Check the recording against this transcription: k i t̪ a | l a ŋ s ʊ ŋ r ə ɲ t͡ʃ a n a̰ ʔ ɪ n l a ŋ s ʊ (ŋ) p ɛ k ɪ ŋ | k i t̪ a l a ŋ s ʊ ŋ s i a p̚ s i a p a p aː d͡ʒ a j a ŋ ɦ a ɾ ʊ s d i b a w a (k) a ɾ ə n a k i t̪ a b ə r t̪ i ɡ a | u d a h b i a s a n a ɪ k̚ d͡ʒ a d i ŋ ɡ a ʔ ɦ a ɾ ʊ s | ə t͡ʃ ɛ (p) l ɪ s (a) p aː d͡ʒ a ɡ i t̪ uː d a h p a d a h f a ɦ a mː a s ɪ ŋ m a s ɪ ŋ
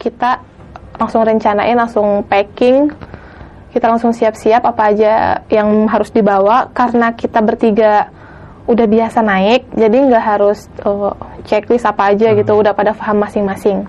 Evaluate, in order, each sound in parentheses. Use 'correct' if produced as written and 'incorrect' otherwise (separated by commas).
correct, correct, incorrect, correct